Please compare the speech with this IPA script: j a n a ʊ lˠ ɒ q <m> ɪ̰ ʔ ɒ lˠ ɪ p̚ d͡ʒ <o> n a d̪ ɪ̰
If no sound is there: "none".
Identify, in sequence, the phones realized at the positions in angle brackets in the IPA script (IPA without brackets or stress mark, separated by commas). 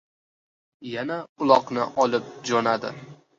n, ɒ